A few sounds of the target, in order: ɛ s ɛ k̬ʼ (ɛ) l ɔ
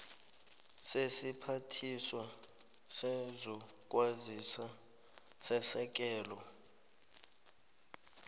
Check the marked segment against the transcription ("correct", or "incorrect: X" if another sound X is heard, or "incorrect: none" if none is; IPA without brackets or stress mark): incorrect: ɛː